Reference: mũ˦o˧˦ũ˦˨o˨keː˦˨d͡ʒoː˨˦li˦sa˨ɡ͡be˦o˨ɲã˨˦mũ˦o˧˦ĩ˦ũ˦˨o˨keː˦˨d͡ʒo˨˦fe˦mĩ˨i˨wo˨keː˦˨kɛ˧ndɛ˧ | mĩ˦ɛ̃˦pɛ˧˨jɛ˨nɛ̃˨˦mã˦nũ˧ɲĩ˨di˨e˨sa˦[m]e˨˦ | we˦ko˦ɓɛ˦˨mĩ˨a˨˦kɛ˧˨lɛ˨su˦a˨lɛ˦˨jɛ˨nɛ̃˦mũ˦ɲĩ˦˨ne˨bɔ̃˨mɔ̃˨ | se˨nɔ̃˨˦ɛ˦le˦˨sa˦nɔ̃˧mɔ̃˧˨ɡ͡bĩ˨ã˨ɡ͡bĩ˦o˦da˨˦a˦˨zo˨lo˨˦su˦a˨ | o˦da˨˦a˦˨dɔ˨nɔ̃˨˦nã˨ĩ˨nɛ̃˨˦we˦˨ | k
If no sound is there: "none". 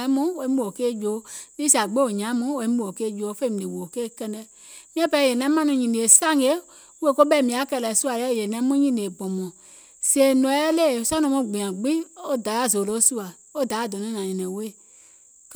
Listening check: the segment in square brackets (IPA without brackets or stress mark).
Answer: ŋ